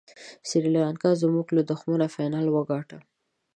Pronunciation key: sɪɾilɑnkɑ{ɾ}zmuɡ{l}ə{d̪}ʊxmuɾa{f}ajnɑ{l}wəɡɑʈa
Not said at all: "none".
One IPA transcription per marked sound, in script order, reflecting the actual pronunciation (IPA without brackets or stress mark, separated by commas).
none, l, d̪, f, l